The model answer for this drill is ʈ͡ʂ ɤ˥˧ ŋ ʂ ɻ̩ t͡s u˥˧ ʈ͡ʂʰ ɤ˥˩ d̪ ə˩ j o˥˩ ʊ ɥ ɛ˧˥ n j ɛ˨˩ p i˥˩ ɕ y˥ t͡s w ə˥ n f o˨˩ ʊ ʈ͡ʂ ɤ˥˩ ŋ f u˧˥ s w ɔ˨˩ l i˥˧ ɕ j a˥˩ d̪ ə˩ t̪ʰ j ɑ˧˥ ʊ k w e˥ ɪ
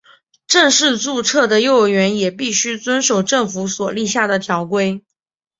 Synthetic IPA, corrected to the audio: ʈ͡ʂ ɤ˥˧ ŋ ʂ ɻ̩ t͡s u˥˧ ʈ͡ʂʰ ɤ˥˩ d̪ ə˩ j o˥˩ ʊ ɥ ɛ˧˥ n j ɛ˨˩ p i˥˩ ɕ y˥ t͡s w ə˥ n ʂ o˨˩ ʊ ʈ͡ʂ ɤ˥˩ ŋ f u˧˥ s w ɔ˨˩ l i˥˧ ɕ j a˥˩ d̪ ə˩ t̪ʰ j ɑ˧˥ ʊ k w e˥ ɪ